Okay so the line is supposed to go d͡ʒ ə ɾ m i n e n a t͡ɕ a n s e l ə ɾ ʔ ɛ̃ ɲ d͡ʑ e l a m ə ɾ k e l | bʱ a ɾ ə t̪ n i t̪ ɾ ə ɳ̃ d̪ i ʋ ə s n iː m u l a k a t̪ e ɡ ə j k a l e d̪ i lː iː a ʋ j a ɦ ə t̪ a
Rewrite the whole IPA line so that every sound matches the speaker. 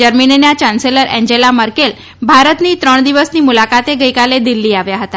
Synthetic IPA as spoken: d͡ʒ ə ɾ m i n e n a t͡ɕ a n s e l ə ɾ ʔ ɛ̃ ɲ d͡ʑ e l a m ə ɾ k e l | bʱ a ɾ ə t̪ n i t̪ ɾ ə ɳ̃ d̪ i ʋ ə s n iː m u l a k a t̪ e ɡ ə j k a l e d̪ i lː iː a ʋ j a ɦ ə t̪ a